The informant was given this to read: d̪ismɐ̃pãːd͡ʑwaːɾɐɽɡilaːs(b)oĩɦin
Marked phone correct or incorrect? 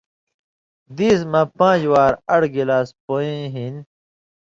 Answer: incorrect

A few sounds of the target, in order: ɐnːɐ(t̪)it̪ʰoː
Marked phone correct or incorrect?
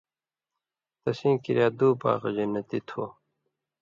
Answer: correct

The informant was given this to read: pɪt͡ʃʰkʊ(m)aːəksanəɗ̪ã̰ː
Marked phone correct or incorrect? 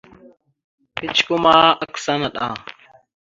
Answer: correct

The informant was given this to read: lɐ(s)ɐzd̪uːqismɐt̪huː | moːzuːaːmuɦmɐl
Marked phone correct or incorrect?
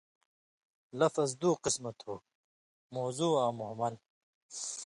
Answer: incorrect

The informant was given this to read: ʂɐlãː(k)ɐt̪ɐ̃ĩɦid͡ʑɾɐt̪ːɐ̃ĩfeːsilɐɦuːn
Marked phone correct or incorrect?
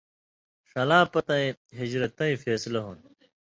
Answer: incorrect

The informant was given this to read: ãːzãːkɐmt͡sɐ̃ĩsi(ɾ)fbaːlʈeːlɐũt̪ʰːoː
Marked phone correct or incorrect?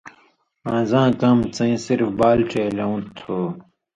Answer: correct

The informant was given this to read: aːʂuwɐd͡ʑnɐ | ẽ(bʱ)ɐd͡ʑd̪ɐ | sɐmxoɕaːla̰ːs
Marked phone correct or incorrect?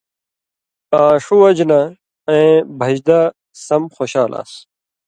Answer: correct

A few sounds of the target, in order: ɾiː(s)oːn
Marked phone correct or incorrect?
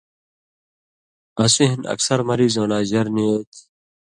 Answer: incorrect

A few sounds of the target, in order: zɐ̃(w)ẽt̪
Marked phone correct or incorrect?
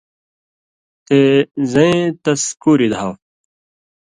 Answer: incorrect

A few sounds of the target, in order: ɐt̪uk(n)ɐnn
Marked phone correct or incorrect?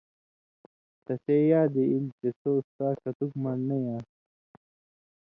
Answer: incorrect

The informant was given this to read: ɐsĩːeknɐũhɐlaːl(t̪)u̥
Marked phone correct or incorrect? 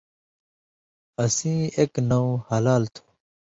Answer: incorrect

